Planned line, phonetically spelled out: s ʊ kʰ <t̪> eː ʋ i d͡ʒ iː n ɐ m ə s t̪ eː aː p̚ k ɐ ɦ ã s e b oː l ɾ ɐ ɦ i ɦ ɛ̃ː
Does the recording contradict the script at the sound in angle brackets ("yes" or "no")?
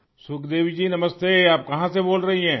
yes